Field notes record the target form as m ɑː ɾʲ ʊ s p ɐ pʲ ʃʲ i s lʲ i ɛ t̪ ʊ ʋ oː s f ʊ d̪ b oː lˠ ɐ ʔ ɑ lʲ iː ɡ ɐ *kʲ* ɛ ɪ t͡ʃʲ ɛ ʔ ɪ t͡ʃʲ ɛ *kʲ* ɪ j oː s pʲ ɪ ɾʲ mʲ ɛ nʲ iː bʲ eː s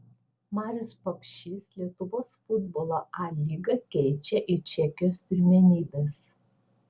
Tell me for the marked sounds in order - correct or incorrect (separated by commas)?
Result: correct, correct